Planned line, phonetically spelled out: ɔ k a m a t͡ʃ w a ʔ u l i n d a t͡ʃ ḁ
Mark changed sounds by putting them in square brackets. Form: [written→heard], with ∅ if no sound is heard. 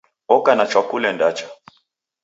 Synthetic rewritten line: ɔ k a [m→n] a t͡ʃ w a [ʔ→k] u l [i→ɛ] n d a t͡ʃ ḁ